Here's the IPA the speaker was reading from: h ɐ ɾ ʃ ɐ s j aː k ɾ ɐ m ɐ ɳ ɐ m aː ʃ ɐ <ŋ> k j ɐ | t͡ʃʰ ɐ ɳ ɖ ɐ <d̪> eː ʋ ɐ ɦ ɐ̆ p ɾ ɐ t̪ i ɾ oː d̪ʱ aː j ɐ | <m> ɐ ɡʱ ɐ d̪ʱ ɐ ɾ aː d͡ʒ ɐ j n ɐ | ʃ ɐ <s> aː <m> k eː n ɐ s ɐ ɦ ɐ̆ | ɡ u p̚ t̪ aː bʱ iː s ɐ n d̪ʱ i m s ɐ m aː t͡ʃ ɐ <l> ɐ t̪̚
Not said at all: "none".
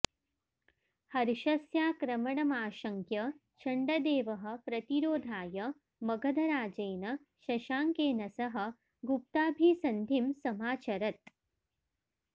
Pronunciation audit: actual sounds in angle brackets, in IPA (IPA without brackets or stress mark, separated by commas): ŋ, d̪, m, ʃ, ŋ, ɾ